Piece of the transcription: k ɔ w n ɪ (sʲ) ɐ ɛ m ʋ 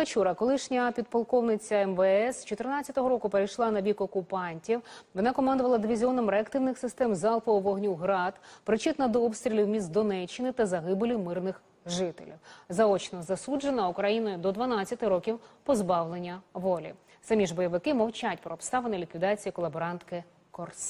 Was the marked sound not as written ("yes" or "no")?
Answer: yes